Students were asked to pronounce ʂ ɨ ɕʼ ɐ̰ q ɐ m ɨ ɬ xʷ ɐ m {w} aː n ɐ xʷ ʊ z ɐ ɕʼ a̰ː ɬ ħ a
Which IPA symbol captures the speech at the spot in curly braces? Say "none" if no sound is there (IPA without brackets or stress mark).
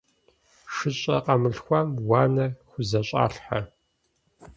w